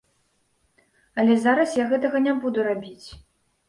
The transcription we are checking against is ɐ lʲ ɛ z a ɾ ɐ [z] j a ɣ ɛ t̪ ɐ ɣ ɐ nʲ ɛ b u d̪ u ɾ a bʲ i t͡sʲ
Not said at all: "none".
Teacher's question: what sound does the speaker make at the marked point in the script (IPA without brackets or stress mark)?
s